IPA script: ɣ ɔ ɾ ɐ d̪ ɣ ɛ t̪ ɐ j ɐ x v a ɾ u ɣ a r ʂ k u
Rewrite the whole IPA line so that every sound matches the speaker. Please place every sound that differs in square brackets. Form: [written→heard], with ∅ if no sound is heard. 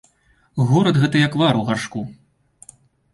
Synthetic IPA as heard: ɣ ɔ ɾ ɐ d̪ ɣ ɛ t̪ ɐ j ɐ [x→k] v a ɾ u ɣ a r ʂ k u